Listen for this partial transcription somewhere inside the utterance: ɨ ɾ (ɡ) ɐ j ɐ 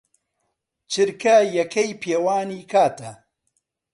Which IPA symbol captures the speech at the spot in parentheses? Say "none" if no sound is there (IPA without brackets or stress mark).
k